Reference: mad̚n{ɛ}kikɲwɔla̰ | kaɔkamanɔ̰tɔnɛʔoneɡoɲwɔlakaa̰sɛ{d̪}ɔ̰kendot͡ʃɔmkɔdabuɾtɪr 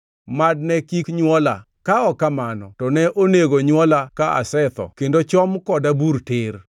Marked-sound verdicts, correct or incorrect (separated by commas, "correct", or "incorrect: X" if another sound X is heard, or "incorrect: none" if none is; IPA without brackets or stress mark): correct, incorrect: t̪